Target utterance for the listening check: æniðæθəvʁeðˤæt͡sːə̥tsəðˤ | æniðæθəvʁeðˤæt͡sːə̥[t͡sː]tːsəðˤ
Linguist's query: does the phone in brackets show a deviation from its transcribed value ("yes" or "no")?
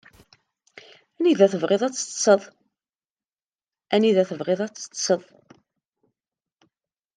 yes